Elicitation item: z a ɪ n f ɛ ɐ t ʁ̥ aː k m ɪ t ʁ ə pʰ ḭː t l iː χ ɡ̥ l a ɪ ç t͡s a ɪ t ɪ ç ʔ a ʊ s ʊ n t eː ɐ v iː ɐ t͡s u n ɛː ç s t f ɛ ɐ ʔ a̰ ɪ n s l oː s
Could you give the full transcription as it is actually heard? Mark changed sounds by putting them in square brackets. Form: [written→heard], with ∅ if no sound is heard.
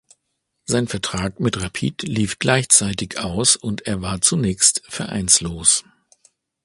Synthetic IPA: z a ɪ n f ɛ ɐ t ʁ̥ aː k m ɪ t ʁ [ə→a] pʰ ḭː t l iː [χ→f] ɡ̥ l a ɪ ç t͡s a ɪ t ɪ ç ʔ a ʊ s ʊ n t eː ɐ v [iː→aː] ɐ t͡s u n ɛː ç s t f ɛ ɐ ʔ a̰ ɪ n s l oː s